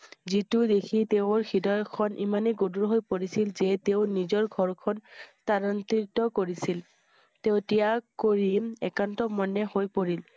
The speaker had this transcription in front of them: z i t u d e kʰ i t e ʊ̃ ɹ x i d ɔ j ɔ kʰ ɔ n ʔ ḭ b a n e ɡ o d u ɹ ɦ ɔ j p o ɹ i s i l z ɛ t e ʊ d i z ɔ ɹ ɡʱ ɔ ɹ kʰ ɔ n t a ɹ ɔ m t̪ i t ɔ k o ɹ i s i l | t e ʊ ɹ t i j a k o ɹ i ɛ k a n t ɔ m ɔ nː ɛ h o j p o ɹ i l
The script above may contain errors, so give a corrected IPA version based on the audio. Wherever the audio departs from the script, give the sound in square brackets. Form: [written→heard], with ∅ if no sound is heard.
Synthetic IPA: z i t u d e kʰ i t e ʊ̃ ɹ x i d ɔ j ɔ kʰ ɔ n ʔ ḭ [b→m] a n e ɡ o d u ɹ ɦ [ɔ→o] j p o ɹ i s i l z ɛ t e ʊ [d→n] i z ɔ ɹ ɡʱ ɔ ɹ kʰ ɔ n t a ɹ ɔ [m→n] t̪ i t ɔ k o ɹ i s i l | t e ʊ [ɹ→∅] t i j a k o ɹ i ɛ k a n t ɔ m ɔ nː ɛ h o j p o ɹ i l